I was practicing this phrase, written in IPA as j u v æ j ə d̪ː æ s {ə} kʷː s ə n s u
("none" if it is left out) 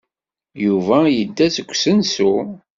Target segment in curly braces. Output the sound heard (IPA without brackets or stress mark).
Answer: ə